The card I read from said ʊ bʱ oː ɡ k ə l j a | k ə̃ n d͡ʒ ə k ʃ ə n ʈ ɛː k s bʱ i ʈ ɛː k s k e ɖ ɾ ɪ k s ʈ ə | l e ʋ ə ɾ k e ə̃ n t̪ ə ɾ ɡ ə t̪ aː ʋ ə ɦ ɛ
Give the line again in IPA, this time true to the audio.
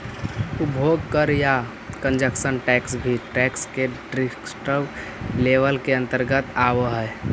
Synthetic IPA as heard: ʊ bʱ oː ɡ k ə ɾ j a | k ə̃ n d͡ʒ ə k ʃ ə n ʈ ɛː k s bʱ i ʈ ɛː k s k e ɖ ɾ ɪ k s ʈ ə | l e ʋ ə l k e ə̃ n t̪ ə ɾ ɡ ə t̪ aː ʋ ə ɦ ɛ